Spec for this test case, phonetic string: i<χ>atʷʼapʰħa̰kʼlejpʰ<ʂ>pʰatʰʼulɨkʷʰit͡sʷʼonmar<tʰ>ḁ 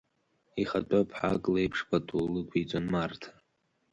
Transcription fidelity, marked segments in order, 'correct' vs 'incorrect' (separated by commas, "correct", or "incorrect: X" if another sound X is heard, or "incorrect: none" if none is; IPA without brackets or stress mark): correct, correct, correct